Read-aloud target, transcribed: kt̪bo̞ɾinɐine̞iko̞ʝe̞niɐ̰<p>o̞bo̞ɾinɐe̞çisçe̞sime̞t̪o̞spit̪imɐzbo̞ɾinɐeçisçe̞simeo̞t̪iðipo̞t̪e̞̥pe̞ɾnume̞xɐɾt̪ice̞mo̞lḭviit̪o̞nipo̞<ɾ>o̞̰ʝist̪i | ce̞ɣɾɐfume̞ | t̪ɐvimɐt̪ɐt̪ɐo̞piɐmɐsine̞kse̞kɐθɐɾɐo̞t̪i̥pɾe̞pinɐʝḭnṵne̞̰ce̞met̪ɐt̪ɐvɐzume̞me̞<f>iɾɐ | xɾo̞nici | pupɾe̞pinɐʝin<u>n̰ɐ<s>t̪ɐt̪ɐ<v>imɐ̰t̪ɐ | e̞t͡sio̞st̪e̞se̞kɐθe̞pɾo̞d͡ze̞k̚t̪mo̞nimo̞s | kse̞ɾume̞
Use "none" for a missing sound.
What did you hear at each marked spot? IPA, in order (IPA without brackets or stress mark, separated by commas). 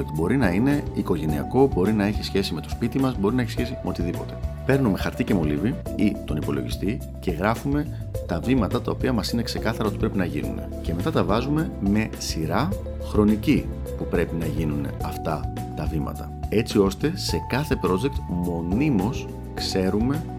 k, l, s, u, f, v